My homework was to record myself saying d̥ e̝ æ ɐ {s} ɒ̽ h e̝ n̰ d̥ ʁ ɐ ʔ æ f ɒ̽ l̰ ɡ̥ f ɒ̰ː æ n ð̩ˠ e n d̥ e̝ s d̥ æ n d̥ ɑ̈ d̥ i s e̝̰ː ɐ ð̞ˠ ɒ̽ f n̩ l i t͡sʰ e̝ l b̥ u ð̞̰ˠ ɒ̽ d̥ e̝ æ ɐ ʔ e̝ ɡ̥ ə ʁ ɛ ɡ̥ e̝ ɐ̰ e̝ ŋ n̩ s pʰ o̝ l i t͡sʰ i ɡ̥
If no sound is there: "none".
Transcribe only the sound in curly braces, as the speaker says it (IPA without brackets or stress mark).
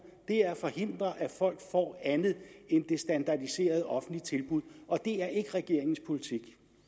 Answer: f